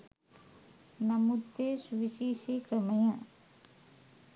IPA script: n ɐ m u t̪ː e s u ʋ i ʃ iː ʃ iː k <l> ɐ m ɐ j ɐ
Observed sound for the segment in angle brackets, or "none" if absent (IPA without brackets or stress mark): ɾ